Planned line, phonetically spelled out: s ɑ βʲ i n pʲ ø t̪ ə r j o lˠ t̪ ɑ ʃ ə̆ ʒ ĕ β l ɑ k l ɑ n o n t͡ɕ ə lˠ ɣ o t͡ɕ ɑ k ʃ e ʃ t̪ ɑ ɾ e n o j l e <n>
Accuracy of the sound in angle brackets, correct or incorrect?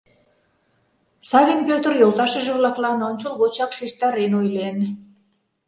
correct